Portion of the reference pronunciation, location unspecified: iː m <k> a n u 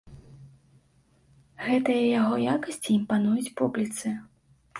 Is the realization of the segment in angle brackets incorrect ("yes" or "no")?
yes